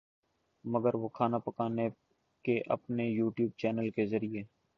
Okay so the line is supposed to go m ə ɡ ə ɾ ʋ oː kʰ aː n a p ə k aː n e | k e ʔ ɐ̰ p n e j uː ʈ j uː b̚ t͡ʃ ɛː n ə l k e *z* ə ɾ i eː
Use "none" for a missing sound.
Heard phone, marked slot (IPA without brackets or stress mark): z